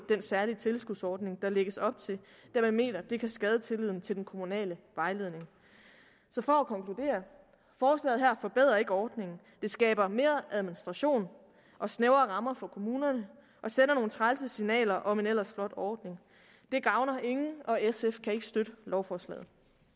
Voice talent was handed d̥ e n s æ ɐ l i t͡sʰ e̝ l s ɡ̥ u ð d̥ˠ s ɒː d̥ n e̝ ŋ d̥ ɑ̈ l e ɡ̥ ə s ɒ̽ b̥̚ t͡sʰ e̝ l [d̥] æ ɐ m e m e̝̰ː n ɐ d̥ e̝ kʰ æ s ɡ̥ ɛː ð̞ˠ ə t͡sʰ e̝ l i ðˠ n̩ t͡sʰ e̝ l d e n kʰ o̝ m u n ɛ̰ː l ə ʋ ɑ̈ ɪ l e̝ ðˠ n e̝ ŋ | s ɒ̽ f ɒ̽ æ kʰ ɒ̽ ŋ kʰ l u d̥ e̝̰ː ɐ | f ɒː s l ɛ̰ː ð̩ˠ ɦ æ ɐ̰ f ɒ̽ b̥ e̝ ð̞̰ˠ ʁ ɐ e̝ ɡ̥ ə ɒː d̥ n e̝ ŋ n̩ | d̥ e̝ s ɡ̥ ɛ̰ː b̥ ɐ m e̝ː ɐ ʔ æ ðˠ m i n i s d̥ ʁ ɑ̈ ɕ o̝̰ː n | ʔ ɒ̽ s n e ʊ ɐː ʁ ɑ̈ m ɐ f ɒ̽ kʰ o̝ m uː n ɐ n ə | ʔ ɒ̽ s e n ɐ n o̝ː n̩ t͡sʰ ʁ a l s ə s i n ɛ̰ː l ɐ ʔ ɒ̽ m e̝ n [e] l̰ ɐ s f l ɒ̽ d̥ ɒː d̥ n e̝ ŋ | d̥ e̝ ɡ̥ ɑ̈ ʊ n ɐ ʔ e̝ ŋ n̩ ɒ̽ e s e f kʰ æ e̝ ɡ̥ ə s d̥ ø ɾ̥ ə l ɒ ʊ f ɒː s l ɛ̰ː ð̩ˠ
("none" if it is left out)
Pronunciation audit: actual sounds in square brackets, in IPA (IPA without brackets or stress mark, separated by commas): d̥, e